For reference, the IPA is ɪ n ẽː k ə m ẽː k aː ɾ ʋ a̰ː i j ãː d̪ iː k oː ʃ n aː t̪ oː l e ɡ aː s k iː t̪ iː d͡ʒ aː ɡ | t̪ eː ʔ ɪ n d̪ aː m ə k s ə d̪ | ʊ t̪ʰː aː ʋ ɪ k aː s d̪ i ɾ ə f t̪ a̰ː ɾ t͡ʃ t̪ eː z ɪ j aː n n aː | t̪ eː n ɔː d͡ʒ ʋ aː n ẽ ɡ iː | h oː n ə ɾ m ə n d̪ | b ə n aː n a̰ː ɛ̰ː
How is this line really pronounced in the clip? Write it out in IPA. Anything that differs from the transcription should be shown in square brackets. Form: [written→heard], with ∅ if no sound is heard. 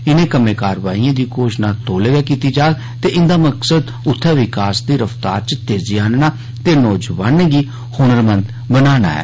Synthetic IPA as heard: ɪ n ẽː k ə m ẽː k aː ɾ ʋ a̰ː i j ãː d̪ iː k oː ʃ n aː t̪ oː l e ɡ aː [s→∅] k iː t̪ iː d͡ʒ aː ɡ | t̪ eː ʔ ɪ n d̪ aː m ə k s ə d̪ | ʊ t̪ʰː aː ʋ ɪ k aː s d̪ [i→iː] ɾ ə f t̪ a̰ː ɾ t͡ʃ t̪ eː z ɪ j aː n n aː | t̪ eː n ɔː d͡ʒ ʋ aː n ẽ ɡ iː | h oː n ə ɾ m ə n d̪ | b ə n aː n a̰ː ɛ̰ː